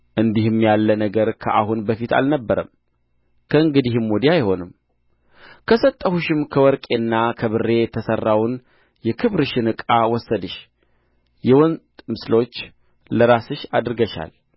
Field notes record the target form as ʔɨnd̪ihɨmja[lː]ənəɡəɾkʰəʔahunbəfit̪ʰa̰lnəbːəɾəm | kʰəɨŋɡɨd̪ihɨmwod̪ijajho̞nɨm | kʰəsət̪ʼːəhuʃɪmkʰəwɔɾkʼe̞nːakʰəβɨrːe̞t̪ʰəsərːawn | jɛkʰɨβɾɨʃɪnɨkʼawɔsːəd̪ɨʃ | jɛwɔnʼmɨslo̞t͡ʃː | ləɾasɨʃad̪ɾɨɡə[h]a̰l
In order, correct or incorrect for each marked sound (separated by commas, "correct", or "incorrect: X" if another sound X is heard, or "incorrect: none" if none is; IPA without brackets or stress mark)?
correct, incorrect: ʃ